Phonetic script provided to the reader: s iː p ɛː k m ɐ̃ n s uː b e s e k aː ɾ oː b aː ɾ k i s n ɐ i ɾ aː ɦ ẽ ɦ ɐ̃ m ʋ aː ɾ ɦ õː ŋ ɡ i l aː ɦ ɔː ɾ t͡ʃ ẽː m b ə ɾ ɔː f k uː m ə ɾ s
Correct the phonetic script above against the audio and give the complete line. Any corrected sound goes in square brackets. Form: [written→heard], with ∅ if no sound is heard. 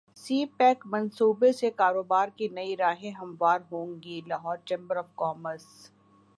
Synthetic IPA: s iː p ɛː k m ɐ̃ n s uː b e s e k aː ɾ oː b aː ɾ k i [s→∅] n ɐ i ɾ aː ɦ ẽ ɦ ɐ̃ m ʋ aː ɾ ɦ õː ŋ ɡ i l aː ɦ ɔː ɾ t͡ʃ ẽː m b ə ɾ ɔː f k [uː→ɔː] m ə ɾ s